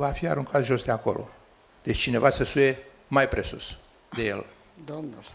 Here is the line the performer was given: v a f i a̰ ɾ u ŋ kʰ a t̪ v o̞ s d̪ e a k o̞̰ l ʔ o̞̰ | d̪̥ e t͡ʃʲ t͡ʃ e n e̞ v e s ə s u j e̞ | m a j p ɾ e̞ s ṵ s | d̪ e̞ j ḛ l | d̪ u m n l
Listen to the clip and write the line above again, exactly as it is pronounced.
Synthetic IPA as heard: v a f i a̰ ɾ u ŋ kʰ a t̪ ʒ o̞ s d̪ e a k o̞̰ l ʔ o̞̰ | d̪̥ e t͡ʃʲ t͡ʃ i n e̞ v a s ə s u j e̞ | m a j p ɾ e̞ s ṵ s | d̪ e̞ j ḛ l | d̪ o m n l